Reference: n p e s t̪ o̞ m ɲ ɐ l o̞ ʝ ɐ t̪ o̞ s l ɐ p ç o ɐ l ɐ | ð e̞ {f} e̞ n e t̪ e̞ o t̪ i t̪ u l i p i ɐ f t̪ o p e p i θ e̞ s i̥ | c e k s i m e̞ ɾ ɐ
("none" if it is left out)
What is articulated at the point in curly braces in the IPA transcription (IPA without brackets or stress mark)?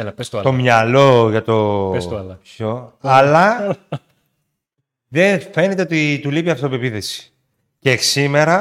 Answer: f